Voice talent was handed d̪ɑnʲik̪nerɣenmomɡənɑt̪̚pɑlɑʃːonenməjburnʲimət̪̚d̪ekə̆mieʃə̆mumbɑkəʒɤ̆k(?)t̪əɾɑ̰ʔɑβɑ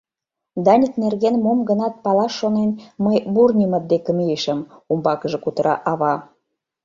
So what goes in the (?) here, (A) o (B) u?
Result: B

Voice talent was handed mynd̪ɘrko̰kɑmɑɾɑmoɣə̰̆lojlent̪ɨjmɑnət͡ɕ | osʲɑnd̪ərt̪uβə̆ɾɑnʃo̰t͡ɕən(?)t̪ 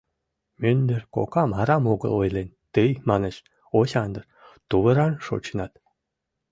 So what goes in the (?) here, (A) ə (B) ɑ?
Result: B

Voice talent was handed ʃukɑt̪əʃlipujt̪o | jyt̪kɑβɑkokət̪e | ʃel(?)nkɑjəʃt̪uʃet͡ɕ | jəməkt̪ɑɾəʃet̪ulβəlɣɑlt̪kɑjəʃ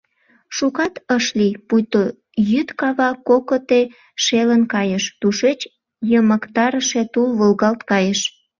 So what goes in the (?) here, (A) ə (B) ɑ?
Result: A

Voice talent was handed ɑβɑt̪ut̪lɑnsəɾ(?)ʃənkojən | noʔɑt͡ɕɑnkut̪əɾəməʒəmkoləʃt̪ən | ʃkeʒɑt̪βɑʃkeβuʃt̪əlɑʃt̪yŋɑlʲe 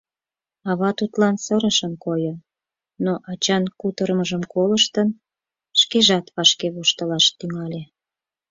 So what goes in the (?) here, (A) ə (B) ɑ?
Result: A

